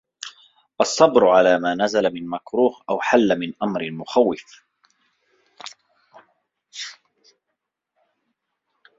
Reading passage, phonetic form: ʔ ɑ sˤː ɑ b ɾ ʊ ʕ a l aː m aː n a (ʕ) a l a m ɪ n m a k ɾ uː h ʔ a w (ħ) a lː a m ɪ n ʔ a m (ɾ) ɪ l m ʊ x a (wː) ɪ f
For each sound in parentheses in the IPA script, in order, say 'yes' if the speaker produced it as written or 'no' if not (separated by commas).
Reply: no, yes, yes, yes